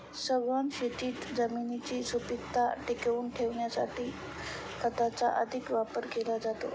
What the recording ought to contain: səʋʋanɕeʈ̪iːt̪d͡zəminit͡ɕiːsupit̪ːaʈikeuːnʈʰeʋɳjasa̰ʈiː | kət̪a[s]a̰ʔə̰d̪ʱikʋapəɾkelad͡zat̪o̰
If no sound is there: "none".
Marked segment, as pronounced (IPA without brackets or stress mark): t͡s